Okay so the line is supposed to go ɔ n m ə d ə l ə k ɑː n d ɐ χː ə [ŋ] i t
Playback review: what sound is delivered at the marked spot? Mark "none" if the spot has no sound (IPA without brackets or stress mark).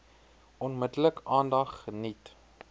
n